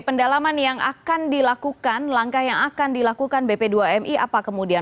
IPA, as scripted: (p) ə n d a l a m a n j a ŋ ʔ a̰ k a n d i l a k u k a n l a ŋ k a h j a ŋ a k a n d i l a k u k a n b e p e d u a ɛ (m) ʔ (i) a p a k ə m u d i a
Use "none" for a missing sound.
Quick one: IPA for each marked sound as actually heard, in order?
p, m, i

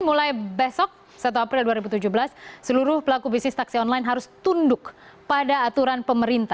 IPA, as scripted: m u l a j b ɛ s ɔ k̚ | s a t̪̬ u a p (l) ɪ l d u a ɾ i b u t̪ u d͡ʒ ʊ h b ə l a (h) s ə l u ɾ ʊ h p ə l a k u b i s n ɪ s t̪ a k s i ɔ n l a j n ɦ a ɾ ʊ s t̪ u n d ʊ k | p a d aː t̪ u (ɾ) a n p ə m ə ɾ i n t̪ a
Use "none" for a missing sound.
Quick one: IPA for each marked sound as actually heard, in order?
ɾ, s, ɾ

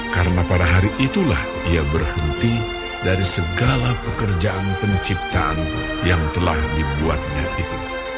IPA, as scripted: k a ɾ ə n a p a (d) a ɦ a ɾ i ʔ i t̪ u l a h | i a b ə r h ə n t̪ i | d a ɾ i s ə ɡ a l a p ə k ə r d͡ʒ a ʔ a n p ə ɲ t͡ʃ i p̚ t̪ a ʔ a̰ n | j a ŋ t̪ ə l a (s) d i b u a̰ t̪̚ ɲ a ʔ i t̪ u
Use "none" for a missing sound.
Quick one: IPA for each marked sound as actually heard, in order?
d, h

